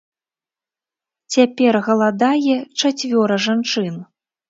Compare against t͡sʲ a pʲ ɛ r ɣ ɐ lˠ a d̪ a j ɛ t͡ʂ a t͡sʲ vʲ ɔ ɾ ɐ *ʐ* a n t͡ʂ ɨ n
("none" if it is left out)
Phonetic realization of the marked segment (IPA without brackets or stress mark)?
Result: ʐ